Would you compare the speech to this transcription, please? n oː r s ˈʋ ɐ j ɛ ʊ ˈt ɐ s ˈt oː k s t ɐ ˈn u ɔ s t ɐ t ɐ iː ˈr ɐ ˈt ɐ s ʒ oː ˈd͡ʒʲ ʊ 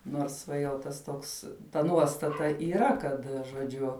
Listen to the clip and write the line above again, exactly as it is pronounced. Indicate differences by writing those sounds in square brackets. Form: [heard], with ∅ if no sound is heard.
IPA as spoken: n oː r s ˈʋ ɐ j ɛ ʊ ˈt ɐ s ˈt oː k s t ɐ ˈn u ɔ s t ɐ t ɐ iː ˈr ɐ [ˈk] ɐ [t] ʒ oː ˈd͡ʒʲ ʊ